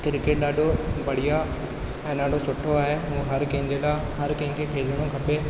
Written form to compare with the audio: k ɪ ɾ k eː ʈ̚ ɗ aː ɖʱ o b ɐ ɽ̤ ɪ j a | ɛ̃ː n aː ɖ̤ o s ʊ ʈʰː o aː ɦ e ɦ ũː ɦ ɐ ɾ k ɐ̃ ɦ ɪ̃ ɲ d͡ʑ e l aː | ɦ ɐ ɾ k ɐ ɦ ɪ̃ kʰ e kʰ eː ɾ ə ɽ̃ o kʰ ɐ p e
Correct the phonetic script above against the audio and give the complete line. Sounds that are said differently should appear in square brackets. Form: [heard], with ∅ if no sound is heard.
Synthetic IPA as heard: k ɪ ɾ k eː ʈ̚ ɗ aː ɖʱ o b ɐ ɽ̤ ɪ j a | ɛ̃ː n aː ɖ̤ o s ʊ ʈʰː o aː ɦ e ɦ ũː ɦ ɐ ɾ k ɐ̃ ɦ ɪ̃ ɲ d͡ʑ e l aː | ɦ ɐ ɾ k ɐ ɦ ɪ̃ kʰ e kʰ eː [l] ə ɽ̃ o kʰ ɐ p e